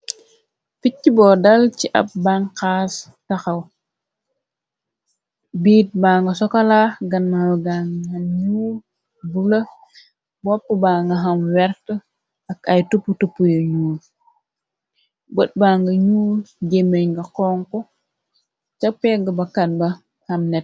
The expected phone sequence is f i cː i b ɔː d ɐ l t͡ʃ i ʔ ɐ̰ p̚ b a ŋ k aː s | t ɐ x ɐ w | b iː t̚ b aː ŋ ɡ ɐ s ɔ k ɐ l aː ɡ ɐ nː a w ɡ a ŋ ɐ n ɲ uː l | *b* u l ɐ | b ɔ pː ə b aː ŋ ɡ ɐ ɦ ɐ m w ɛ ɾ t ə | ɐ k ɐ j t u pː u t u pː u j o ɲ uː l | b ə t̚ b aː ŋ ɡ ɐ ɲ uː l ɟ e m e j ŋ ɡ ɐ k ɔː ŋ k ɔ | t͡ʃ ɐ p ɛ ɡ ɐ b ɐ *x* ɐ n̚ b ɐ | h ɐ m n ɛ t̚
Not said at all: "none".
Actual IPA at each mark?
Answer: b, k

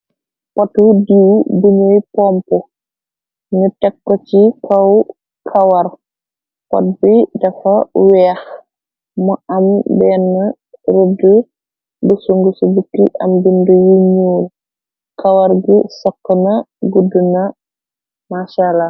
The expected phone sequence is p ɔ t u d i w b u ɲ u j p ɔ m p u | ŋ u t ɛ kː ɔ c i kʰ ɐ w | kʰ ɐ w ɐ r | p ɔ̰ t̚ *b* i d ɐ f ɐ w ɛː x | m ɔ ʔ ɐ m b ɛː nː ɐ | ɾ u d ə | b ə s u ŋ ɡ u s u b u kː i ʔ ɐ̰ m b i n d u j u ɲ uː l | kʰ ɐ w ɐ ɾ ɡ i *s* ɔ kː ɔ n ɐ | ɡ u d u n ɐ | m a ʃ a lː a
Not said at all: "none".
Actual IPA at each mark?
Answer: b, s

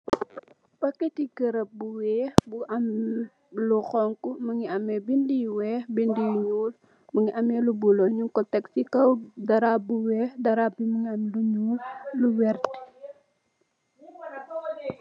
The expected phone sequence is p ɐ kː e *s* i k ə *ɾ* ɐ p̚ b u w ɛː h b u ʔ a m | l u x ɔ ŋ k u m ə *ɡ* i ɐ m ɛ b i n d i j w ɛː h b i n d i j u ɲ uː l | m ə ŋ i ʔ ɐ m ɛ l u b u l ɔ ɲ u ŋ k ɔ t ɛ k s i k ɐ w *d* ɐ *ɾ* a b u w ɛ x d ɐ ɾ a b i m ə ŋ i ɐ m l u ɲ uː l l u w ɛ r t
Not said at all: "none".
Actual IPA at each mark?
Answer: t, ɾ, ŋ, d, ɾ

